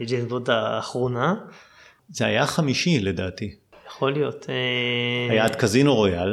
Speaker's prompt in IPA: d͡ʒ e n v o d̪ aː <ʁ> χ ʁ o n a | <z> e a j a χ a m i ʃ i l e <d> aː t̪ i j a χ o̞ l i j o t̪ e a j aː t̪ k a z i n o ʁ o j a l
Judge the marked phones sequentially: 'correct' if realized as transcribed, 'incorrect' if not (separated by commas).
incorrect, correct, correct